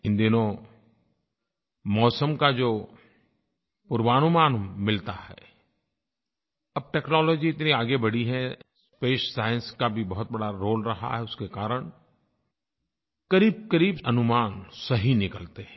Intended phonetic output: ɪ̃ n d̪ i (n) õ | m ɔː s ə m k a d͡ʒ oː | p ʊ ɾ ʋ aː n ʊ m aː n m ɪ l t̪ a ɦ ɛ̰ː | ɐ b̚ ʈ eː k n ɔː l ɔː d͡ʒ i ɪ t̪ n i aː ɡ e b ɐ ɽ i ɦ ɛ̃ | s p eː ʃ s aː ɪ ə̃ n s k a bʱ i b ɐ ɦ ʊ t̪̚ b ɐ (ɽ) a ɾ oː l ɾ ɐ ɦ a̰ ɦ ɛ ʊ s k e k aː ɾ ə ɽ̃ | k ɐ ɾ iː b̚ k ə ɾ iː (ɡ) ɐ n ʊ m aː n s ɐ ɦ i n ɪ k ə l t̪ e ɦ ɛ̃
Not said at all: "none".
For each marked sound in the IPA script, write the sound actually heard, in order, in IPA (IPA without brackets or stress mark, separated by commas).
n, ɽ, b